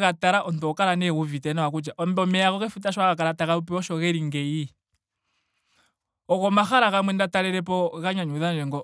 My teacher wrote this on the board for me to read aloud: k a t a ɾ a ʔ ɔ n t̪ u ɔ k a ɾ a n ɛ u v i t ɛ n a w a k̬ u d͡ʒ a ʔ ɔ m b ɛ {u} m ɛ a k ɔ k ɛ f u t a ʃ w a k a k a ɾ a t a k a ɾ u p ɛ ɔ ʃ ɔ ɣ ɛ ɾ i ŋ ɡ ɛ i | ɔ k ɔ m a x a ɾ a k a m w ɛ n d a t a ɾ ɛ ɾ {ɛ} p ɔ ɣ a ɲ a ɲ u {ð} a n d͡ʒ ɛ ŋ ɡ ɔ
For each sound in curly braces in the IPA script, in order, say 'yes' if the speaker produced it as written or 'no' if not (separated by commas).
no, yes, yes